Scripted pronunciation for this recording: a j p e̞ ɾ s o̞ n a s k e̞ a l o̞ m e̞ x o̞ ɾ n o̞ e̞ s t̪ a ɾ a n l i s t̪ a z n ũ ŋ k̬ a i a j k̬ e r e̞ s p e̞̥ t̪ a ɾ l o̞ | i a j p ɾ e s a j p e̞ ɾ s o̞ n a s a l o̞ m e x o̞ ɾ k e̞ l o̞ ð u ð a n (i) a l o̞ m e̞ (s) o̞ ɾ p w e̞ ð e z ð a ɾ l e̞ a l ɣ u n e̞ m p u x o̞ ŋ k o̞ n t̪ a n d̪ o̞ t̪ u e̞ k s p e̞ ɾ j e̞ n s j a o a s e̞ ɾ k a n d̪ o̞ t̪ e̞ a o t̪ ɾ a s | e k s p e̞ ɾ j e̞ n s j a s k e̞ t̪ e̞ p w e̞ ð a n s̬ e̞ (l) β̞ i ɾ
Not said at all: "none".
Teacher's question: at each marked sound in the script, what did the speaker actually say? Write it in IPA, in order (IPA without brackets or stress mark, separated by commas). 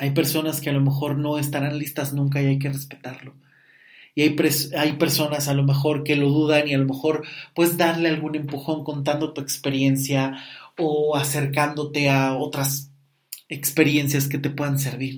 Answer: i, x, ɾ